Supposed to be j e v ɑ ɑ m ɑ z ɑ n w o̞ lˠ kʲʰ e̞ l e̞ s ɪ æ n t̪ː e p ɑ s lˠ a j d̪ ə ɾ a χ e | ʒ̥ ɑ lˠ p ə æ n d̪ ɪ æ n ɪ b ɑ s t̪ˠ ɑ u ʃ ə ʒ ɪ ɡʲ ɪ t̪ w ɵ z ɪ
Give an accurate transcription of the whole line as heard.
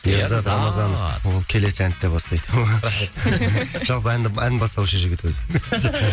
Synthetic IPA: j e z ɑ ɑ m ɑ z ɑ n w o̞ lˠ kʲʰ e̞ l e̞ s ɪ æ n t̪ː e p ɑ s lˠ ɑ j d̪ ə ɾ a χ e | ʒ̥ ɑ lˠ p ə æ n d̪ ɪ æ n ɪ b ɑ s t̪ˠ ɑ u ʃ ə ʒ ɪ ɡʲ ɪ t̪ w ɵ z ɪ